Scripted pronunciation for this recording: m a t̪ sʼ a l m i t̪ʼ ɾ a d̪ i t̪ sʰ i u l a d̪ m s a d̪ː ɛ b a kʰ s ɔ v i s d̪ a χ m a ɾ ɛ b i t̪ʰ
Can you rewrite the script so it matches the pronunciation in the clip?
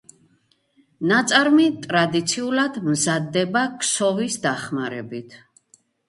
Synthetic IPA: n a t̪ sʼ a ɾ m i t̪ʼ ɾ a d̪ i t̪ sʰ i u l a d̪ m z a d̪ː ɛ b a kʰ s ɔ v i s d̪ a χ m a ɾ ɛ b i t̪ʰ